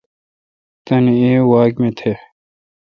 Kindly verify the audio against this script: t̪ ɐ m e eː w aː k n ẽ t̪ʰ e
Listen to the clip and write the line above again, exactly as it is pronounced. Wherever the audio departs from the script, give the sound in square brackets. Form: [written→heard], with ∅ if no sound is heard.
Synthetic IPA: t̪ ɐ [m→n] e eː w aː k [n→m] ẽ t̪ʰ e